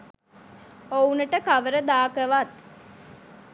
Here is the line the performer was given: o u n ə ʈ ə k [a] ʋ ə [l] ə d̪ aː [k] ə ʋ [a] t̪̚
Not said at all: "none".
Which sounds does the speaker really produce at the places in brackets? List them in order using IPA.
a, ɾ, k, a

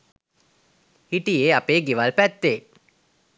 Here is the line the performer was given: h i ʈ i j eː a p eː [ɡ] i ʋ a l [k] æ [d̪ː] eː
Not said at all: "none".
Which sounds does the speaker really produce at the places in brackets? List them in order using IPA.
ɡ, p, t̪ː

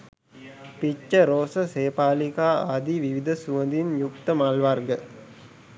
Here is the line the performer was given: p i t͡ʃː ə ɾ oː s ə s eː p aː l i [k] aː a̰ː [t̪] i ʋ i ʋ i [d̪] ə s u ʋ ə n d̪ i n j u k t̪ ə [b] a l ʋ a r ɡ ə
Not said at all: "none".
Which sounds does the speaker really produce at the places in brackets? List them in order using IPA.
k, d̪, d̪, m

